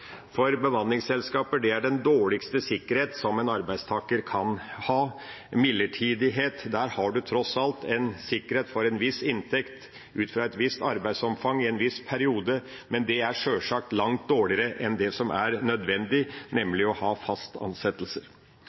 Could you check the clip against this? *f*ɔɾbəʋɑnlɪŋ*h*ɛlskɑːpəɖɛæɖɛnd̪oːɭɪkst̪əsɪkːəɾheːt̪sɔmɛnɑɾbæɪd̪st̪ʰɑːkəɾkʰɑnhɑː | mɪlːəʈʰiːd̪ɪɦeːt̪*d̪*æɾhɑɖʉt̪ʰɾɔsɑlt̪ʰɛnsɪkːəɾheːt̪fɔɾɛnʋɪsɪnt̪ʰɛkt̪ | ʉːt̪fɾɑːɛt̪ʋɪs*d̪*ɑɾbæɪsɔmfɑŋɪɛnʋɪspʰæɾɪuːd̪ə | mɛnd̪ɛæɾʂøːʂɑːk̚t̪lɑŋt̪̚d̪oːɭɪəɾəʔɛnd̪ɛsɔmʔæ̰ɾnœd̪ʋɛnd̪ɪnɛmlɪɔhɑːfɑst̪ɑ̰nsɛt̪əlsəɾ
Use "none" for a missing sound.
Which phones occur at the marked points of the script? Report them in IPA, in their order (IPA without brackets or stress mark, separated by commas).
f, s, d̪, t̪